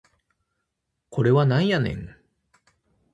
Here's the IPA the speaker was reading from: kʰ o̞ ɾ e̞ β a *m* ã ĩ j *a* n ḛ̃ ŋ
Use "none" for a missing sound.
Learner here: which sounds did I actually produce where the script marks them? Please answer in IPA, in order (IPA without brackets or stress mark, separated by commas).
n, a